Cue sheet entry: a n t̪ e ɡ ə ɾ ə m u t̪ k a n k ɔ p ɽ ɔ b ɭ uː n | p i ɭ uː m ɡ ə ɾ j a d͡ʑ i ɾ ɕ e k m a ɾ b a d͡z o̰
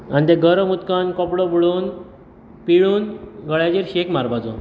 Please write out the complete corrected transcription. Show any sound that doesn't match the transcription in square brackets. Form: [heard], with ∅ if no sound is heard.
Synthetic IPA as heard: a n t̪ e ɡ ə ɾ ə m u t̪ k a n k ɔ p ɽ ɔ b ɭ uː n | p i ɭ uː [n] ɡ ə [ɭ] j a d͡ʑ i ɾ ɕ e k m a ɾ b a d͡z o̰